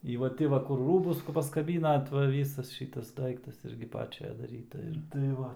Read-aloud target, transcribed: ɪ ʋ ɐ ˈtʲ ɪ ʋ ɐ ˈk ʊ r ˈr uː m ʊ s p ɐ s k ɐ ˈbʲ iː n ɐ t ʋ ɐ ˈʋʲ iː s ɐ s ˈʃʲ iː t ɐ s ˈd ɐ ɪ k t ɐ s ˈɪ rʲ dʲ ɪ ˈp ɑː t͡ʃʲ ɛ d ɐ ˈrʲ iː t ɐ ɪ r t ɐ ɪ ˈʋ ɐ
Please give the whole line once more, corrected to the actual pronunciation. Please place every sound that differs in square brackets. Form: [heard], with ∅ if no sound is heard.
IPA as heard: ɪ ʋ ɐ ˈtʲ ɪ ʋ ɐ ˈk ʊ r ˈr uː [b] ʊ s p ɐ s k ɐ ˈbʲ iː n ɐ t ʋ ɐ ˈʋʲ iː s ɐ s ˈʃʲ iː t ɐ s ˈd ɐ ɪ k t ɐ s ˈɪ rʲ [ɡʲ] ɪ ˈp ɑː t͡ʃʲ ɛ d ɐ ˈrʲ iː t ɐ ɪ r t ɐ ɪ ˈʋ ɐ